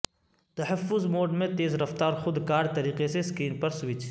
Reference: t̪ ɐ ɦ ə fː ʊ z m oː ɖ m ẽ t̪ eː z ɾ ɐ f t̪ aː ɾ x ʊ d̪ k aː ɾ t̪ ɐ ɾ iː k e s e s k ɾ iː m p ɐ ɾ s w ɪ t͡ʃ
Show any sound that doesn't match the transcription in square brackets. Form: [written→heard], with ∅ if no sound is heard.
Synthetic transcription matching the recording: t̪ ɐ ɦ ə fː ʊ z m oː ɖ m ẽ t̪ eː z ɾ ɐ f t̪ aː ɾ x ʊ d̪ k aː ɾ t̪ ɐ ɾ iː [k→q] e s e s k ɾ iː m p ɐ ɾ s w ɪ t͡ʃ

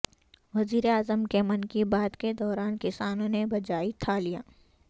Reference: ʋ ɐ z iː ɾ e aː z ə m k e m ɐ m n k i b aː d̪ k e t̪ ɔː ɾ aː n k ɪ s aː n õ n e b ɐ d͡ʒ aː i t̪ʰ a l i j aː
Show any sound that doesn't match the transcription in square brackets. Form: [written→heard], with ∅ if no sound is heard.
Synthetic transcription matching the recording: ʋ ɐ z iː ɾ e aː z ə m k e m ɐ [m→∅] n k i b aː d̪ k e [t̪→d̪] ɔː ɾ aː n k ɪ s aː n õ n e b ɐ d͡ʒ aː i t̪ʰ a l i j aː

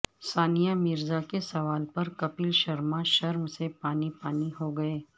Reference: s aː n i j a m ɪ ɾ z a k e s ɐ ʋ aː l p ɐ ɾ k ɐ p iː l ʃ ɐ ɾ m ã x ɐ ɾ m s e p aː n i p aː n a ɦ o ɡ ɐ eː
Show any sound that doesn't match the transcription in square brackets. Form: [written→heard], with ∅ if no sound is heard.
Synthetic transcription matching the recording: s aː n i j a m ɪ ɾ z a k e s ɐ ʋ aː l p ɐ ɾ k ɐ p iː l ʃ ɐ ɾ m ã [x→ʃ] ɐ ɾ m s e p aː n i p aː n [a→i] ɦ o ɡ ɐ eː

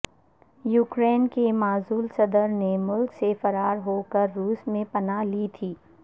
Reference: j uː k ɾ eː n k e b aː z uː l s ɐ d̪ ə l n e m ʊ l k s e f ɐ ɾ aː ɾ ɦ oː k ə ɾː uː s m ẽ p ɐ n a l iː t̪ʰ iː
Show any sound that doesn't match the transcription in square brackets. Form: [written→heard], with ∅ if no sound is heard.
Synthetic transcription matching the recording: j uː k ɾ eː n k e [b→m] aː z uː l s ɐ d̪ ə [l→ɾ] n e m ʊ l k s e f ɐ ɾ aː ɾ ɦ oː k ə ɾː uː s m ẽ p ɐ n a l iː t̪ʰ iː

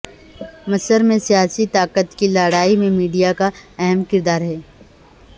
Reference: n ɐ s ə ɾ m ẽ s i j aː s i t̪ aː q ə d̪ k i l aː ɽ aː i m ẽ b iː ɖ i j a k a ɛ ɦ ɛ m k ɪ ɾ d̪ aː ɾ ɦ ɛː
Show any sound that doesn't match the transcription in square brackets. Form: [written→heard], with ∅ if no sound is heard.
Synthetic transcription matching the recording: [n→m] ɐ s ə ɾ m ẽ s i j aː s i t̪ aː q ə [d̪→t̪] k i l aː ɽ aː i m ẽ [b→m] iː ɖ i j a k a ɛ ɦ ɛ m k ɪ ɾ d̪ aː ɾ ɦ ɛː

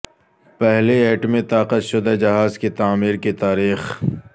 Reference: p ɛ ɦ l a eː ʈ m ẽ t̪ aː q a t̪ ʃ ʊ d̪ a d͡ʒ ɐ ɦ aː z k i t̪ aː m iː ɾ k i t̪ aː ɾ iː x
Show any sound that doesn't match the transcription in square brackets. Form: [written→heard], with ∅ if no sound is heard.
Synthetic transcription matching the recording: p ɛ ɦ l [a→e] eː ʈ m ẽ t̪ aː q [a→ə] t̪ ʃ ʊ d̪ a d͡ʒ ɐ ɦ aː z k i t̪ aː m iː ɾ k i t̪ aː ɾ iː x

